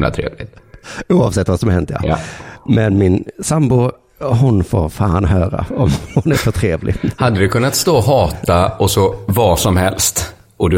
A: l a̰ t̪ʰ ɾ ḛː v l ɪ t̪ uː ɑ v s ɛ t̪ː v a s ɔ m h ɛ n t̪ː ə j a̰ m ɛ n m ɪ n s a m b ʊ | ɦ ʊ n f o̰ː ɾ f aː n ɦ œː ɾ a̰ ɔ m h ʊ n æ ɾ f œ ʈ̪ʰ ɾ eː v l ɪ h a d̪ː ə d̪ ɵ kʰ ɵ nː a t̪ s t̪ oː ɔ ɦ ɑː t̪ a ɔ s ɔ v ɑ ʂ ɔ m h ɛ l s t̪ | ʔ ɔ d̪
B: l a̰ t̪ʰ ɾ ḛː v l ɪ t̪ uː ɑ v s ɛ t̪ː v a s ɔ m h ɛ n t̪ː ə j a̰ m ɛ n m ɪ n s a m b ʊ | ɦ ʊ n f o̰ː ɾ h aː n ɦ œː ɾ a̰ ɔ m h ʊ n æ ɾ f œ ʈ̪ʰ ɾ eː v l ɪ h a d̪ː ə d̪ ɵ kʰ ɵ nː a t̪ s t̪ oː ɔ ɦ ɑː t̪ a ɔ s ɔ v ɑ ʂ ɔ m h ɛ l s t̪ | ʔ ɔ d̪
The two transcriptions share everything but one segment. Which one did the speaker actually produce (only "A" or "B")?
A